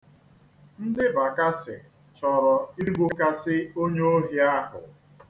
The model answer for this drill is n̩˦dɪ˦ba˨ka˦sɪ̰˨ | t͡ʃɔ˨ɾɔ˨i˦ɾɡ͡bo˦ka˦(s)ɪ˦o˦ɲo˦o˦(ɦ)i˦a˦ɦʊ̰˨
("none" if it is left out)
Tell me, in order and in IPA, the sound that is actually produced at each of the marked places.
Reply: s, ɦ

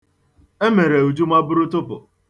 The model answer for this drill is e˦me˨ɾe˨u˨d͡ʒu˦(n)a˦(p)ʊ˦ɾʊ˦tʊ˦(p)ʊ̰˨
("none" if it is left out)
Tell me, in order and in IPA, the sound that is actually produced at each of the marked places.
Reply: m, b, p

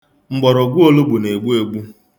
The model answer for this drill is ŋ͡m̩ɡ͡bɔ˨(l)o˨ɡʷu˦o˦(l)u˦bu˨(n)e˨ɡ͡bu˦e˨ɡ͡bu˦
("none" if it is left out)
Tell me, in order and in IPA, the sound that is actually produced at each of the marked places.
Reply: ɾ, l, n

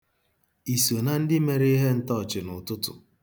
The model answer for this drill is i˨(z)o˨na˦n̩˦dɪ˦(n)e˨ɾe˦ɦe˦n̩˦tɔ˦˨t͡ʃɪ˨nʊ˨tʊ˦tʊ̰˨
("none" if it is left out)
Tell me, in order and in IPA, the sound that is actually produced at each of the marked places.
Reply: s, m

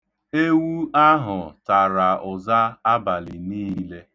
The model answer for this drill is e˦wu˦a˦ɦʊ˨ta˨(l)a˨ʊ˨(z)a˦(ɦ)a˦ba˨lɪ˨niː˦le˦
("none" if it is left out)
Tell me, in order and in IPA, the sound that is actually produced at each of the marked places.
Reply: ɾ, z, none

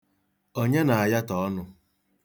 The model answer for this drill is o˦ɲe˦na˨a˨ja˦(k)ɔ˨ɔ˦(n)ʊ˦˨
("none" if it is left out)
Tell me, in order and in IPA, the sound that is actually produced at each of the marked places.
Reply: t, n

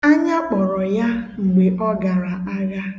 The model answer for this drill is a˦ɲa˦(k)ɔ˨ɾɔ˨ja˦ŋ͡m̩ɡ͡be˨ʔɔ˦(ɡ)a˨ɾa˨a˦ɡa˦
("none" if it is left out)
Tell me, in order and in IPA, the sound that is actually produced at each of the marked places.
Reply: k͡p, ɡ

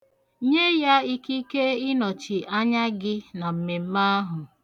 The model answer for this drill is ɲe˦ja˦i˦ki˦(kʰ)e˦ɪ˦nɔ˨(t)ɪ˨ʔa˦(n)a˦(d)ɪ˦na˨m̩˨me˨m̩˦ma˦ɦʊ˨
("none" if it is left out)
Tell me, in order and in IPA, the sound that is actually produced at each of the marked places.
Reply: k, t͡ʃ, ɲ, ɡ

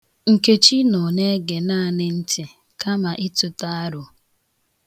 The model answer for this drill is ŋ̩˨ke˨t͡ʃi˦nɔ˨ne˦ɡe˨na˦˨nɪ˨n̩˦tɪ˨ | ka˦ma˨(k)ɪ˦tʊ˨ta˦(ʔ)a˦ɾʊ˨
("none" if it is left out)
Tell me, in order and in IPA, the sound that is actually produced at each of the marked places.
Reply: ʔ, none

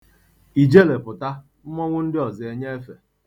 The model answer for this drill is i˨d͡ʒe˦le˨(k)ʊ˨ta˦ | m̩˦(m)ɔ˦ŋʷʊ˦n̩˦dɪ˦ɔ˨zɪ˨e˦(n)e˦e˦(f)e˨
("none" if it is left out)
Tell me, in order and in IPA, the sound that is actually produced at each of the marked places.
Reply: p, m, ɲ, f

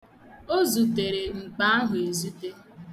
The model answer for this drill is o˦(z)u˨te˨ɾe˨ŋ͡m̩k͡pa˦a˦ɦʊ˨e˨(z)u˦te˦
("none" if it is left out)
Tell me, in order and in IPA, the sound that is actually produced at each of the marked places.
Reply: z, z

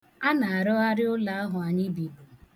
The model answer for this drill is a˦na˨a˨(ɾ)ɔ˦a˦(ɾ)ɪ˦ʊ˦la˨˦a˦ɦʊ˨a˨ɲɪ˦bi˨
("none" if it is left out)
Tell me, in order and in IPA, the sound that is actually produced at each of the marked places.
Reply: ɾ, ɾ

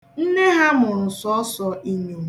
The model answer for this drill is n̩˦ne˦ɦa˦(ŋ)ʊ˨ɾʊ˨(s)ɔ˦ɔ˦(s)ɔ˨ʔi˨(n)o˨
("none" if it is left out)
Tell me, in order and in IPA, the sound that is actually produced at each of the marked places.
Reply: m, s, s, ɲ

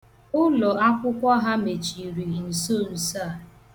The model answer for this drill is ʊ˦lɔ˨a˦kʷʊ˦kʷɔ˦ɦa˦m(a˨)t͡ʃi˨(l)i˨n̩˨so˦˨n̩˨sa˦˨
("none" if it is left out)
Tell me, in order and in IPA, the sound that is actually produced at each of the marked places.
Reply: e˨, ɾ

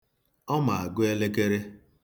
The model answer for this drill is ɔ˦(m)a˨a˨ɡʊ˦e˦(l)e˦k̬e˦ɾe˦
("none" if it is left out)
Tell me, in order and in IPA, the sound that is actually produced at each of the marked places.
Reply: m, l

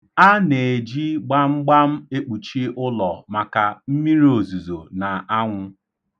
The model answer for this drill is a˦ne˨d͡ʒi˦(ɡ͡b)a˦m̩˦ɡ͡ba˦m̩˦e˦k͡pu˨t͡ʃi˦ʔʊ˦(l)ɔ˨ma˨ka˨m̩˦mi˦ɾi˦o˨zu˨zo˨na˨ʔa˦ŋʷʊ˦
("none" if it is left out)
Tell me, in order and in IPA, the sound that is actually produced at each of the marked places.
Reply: ɡ͡b, l

